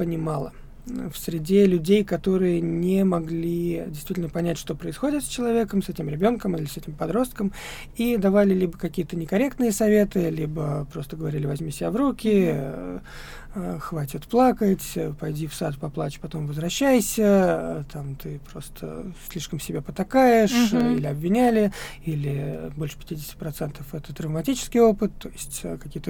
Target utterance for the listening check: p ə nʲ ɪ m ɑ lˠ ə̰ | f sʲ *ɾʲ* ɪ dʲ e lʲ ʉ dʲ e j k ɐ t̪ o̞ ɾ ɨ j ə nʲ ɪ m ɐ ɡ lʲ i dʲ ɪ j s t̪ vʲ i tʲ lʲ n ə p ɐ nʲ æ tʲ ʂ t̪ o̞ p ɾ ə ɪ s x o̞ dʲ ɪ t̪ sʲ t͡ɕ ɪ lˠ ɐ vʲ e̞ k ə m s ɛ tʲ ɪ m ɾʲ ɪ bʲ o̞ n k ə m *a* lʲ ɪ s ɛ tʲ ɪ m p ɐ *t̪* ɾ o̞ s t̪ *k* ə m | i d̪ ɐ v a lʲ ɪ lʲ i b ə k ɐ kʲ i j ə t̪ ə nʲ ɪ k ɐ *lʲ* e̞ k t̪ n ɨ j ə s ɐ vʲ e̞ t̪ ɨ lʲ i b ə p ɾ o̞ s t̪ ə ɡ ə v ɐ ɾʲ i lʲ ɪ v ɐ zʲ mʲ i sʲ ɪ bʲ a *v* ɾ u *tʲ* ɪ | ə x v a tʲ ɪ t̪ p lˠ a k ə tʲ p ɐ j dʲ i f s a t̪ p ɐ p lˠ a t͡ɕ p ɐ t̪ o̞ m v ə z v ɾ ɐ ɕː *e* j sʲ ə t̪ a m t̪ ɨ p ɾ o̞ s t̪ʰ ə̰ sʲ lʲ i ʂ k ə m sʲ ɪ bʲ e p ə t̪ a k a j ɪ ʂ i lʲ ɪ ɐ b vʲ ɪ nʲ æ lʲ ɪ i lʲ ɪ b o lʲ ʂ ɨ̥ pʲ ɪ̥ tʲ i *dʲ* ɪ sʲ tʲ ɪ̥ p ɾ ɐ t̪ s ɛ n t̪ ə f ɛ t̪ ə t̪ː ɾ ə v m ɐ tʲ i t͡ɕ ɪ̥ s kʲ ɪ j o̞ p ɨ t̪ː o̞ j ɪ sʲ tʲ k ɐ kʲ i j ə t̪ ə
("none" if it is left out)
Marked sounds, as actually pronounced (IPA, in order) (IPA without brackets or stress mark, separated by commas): ɾʲ, i, d̪, k, ɾʲ, v, kʲ, æ, dʲ